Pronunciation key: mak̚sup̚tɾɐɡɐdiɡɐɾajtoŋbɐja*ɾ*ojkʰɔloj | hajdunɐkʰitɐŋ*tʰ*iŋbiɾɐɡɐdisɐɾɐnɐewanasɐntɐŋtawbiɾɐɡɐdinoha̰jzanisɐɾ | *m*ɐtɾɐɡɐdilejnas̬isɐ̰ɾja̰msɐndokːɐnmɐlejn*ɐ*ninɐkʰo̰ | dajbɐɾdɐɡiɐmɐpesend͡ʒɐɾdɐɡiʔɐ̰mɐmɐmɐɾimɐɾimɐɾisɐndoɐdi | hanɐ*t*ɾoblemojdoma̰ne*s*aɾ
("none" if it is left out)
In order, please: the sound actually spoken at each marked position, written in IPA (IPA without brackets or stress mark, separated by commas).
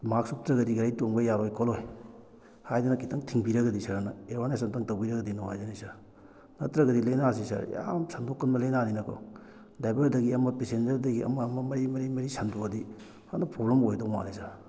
ɾ, tʰ, n, a, p, s